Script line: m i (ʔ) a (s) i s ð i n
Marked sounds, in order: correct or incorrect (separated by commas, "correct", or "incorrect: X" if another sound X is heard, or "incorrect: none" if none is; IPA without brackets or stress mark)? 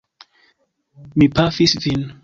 incorrect: p, incorrect: f